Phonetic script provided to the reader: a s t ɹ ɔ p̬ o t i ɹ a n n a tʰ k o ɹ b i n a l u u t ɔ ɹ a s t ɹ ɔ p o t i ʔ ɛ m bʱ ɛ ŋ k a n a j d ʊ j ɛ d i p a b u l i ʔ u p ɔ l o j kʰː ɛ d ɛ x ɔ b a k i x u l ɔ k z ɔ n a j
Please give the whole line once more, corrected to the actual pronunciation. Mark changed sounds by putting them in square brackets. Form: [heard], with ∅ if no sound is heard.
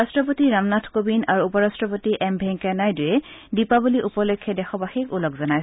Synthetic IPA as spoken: a s t ɹ ɔ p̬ o t i ɹ a [m] n a tʰ k o [∅] b i n a [ɹ] u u [p] ɔ ɹ a s t ɹ ɔ p o t i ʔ ɛ m bʱ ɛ ŋ k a n a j d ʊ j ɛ d i p a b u l i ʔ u p ɔ l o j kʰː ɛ d ɛ x ɔ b a [x] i [k] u l ɔ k z ɔ n a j